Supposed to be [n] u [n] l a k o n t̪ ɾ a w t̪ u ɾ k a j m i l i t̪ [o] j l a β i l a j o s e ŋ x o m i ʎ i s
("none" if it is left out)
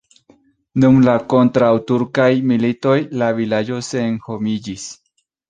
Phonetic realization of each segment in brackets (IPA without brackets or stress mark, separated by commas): n, m, o